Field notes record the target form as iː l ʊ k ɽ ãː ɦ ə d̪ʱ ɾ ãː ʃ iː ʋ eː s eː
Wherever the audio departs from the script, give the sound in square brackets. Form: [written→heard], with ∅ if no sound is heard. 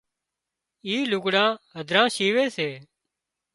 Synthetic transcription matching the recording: iː l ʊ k ɽ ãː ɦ ə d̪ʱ ɾ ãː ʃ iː ʋ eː s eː

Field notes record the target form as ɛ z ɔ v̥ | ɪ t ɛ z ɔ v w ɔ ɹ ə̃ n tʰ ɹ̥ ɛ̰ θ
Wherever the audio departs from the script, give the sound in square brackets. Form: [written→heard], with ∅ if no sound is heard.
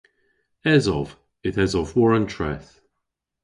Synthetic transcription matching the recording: ɛ z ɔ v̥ | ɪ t ɛ z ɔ v w ɔ ɹ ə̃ n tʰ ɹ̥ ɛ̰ θ

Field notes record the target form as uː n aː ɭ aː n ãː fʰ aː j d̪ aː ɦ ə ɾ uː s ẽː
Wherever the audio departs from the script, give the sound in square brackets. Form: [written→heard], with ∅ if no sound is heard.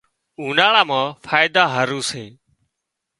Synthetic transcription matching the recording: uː n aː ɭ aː [n→m] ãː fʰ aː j d̪ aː ɦ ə ɾ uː s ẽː

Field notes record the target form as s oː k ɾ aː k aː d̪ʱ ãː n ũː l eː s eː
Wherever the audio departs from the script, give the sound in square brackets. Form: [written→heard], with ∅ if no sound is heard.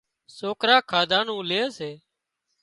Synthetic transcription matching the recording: s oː k ɾ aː [k→kʰ] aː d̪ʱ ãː n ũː l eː s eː

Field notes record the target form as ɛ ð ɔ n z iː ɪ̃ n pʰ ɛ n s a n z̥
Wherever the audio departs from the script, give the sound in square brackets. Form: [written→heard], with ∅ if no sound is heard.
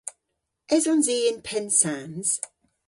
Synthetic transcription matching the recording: ɛ [ð→z] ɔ n z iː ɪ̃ n pʰ ɛ n s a n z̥

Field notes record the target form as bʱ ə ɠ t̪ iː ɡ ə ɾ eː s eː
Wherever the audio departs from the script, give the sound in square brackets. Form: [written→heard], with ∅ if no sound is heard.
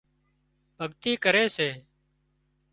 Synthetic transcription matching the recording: bʱ ə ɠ t̪ iː [ɡ→k] ə ɾ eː s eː

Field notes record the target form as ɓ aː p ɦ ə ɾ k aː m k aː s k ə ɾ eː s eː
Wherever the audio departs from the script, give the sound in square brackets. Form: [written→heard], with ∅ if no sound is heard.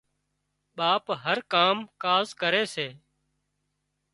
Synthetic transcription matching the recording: ɓ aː p ɦ ə ɾ k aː m k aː [s→z] k ə ɾ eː s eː

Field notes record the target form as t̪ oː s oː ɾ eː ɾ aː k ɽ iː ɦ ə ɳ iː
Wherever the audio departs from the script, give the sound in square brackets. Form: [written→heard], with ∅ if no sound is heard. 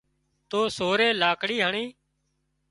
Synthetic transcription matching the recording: t̪ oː s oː ɾ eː [ɾ→l] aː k ɽ iː ɦ ə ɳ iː

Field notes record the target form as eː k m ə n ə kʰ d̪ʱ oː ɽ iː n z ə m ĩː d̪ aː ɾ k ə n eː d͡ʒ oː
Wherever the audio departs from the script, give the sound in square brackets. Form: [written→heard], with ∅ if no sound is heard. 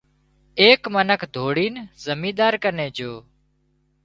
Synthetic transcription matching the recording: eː k m ə n ə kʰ d̪ʱ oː ɽ iː n z ə m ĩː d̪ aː ɾ k ə n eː d͡ʒ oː

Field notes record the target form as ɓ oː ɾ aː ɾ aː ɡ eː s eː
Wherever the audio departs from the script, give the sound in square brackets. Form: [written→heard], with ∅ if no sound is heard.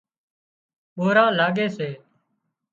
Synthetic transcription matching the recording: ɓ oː ɾ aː [ɾ→l] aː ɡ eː s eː

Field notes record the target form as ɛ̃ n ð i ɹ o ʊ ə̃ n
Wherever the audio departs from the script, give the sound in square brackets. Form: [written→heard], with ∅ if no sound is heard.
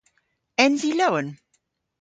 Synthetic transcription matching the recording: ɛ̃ n [ð→z] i [ɹ→l] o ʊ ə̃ n

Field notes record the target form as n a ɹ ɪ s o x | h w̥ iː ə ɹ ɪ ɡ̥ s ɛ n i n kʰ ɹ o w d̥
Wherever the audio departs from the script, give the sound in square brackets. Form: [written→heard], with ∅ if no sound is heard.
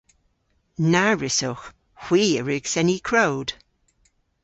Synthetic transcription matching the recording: n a ɹ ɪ s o x | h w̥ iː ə ɹ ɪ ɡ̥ s ɛ n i [n→∅] kʰ ɹ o w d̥

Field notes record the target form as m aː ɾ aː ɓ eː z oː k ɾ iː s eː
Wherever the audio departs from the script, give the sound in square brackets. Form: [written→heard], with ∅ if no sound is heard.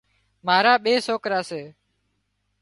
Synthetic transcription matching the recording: m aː ɾ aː ɓ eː [z→s] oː k ɾ [iː→aː] s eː

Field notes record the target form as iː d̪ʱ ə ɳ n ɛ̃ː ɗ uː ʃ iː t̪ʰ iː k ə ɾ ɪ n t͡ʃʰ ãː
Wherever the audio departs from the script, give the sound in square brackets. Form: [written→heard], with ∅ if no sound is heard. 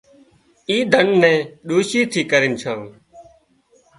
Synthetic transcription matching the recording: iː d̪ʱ ə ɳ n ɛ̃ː ɗ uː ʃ iː t̪ʰ iː k ə ɾ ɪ n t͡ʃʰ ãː

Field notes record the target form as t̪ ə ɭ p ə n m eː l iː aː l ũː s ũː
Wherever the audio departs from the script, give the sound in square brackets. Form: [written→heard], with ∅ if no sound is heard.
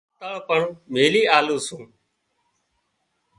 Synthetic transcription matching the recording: t̪ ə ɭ p ə [n→ɳ] m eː l iː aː l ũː s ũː

